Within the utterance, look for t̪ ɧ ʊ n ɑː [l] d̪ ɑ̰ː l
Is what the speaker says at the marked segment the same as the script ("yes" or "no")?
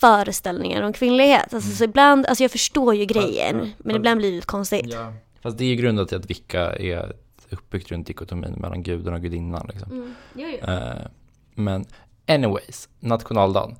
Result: yes